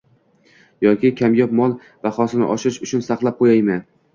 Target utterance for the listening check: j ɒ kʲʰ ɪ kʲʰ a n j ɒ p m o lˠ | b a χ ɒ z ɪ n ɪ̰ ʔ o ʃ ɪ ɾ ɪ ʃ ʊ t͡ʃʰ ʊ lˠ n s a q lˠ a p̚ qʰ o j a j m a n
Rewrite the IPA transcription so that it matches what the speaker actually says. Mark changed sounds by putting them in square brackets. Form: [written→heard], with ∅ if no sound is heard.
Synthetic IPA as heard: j ɒ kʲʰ ɪ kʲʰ a [n→m] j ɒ p m [o→ɒ] lˠ | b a χ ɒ [z→s] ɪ n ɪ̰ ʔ [o→ɒ] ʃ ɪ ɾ ɪ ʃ ʊ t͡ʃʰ ʊ [lˠ→∅] n s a q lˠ a p̚ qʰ o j a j m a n